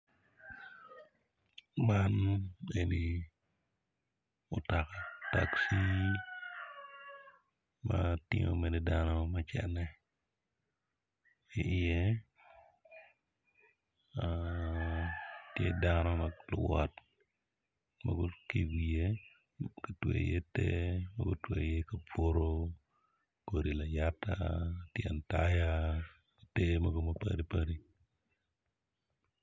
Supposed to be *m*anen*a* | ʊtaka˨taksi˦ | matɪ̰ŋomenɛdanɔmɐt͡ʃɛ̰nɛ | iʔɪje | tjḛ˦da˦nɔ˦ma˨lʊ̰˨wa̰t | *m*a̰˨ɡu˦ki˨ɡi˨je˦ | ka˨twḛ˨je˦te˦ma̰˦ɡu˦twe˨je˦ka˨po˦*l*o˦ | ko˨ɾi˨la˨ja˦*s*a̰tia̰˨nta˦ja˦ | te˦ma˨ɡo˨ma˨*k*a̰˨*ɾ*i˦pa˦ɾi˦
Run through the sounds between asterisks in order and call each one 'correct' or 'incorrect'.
correct, incorrect: i, correct, incorrect: ɾ, incorrect: t, incorrect: p, correct

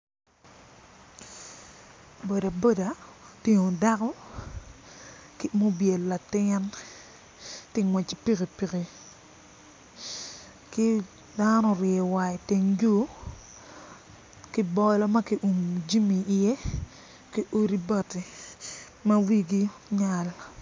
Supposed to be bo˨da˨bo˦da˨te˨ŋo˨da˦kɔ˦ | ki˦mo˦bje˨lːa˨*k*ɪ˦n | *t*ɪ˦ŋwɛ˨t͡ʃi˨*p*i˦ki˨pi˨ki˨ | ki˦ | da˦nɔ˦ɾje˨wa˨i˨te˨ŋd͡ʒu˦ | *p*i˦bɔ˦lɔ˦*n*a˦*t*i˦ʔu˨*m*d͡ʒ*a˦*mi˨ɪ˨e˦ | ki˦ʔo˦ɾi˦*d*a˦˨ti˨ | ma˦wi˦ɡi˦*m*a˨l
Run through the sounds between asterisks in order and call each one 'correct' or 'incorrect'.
incorrect: t, correct, correct, incorrect: k, incorrect: m, incorrect: k, correct, incorrect: i˦, incorrect: b, incorrect: ɲ

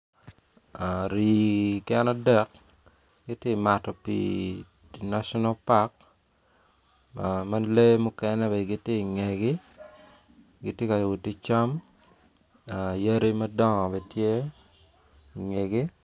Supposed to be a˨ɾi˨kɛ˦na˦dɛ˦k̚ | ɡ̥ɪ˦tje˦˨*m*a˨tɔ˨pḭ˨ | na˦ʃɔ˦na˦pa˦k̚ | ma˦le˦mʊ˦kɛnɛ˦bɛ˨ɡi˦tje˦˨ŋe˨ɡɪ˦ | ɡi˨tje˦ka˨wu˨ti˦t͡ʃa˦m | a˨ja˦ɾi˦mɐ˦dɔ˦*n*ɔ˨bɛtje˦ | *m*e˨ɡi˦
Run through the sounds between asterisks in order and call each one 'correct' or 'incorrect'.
correct, incorrect: ŋ, incorrect: ŋ

